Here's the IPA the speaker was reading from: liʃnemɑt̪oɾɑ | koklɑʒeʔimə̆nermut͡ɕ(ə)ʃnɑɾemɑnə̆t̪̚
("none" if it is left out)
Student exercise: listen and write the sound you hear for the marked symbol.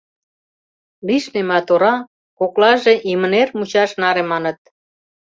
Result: ɑ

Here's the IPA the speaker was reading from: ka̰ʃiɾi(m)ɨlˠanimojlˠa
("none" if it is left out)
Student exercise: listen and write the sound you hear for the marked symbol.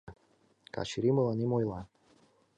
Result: m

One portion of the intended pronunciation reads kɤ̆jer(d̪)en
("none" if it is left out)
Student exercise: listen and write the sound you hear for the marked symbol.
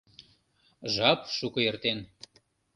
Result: t̪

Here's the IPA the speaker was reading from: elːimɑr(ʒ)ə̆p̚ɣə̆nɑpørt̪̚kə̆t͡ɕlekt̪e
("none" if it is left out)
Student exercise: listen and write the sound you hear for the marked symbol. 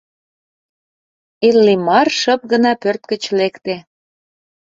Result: ʃ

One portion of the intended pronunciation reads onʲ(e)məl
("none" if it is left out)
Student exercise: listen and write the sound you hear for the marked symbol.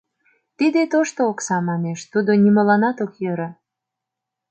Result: i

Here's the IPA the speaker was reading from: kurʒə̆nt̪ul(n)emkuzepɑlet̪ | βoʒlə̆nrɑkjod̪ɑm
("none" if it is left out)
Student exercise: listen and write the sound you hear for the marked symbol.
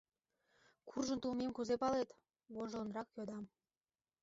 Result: m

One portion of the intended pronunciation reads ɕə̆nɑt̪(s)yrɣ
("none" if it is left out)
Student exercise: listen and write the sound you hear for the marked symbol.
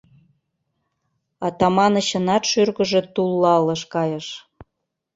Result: ʃ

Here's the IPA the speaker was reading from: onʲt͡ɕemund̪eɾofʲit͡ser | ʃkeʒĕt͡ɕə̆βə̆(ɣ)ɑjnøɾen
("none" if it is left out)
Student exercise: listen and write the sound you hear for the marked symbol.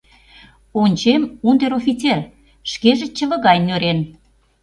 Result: ɣ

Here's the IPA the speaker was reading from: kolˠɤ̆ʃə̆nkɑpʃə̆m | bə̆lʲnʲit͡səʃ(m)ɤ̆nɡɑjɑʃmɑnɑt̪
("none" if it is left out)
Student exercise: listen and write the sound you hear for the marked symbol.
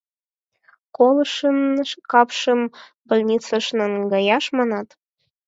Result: n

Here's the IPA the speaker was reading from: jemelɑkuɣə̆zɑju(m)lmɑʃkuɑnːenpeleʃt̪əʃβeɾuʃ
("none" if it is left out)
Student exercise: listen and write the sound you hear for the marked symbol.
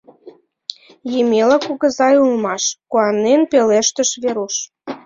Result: none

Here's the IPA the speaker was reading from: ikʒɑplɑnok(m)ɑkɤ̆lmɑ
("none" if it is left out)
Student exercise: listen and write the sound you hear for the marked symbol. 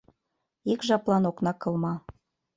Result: n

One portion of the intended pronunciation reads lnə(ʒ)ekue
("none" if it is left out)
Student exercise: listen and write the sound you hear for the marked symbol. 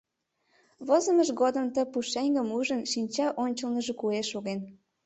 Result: ʒ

